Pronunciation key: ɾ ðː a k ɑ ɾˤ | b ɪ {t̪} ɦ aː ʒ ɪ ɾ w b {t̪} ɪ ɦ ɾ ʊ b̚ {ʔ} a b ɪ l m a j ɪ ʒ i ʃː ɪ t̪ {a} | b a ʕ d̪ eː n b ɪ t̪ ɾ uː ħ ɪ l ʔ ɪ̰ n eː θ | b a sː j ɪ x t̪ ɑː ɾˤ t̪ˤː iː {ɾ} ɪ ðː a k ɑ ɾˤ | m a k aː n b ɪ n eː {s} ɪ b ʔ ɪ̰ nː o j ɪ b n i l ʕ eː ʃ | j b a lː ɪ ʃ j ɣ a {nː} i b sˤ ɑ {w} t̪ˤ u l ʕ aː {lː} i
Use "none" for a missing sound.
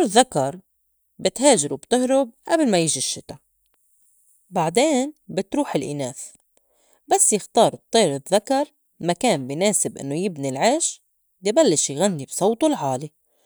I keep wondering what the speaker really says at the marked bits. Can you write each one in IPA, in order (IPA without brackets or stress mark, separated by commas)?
t̪, t̪, ʔ, a, ɾ, s, nː, w, l